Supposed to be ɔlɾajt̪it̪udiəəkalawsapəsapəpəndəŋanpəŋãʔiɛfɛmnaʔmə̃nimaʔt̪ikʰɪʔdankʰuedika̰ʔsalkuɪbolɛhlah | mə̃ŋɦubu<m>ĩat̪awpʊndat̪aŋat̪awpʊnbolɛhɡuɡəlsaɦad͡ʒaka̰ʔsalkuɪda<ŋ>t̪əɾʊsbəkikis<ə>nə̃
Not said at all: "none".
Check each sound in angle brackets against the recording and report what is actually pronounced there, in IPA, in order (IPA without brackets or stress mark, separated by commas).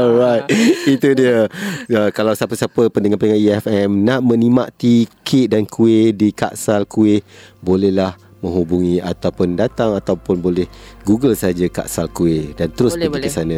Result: ŋ, n, a